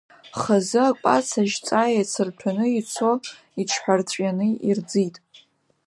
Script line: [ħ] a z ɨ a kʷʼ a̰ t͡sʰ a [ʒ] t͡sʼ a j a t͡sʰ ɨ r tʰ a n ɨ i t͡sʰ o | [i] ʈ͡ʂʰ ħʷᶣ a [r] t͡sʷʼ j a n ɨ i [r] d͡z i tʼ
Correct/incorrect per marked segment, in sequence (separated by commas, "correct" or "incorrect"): incorrect, correct, correct, correct, correct